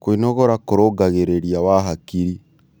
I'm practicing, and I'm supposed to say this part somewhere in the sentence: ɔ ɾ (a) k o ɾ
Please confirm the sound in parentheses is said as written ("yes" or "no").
yes